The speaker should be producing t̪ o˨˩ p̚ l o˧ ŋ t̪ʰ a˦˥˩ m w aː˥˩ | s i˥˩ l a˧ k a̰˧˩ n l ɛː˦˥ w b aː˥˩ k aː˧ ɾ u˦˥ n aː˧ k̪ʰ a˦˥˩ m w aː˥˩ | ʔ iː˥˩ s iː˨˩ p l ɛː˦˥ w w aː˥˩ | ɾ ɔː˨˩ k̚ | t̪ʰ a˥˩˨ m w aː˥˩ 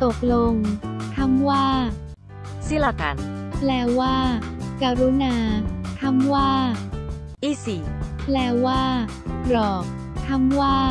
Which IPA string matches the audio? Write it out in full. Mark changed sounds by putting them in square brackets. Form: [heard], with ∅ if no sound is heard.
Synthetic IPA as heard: t̪ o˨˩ [k̚] l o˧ ŋ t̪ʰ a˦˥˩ m w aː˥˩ | s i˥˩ l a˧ k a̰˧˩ n l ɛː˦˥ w [w] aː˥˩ k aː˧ ɾ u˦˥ n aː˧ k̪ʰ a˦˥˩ m w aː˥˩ | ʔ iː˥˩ s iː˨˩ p l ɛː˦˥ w w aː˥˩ | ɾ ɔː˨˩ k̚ | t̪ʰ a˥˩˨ m w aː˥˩